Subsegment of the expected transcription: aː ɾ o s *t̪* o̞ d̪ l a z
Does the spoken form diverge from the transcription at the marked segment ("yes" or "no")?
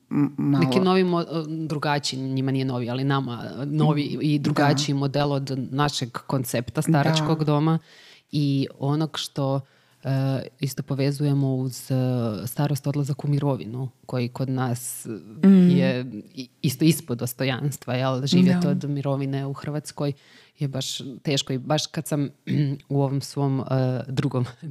no